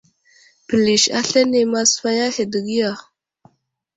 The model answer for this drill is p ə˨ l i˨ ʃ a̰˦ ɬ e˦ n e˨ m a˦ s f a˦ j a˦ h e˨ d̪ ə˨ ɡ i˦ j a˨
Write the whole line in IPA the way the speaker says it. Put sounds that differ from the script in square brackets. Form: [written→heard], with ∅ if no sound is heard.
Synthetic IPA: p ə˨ l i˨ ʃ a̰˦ ɬ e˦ n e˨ m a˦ s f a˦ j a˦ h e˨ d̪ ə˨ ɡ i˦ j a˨